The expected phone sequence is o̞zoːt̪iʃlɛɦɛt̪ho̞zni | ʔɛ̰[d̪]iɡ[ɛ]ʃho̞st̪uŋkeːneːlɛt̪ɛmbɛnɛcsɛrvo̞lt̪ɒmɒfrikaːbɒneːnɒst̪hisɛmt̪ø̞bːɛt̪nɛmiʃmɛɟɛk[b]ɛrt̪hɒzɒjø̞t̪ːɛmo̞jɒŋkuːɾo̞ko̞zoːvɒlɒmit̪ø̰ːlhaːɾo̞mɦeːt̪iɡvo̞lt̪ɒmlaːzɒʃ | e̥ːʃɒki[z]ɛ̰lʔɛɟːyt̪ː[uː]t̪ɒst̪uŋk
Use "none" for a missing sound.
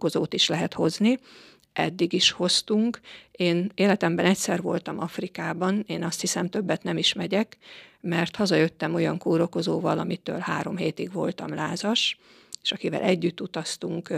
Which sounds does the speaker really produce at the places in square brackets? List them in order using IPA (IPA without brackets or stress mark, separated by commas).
d̪ː, i, m, v, u